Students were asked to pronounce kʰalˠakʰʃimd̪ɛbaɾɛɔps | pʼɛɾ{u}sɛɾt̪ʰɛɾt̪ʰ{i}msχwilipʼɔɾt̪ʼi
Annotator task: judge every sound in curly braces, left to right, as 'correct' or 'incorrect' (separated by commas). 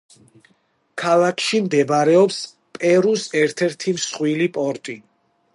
correct, correct